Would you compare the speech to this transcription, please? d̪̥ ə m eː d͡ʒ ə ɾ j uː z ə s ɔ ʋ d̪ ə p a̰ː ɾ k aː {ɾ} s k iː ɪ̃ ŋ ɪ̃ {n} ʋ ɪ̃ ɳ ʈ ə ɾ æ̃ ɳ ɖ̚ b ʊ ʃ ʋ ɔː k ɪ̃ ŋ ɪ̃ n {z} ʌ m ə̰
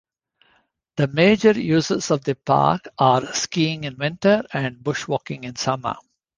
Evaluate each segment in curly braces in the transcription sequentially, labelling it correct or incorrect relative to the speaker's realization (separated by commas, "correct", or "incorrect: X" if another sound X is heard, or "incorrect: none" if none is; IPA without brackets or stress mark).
correct, correct, incorrect: s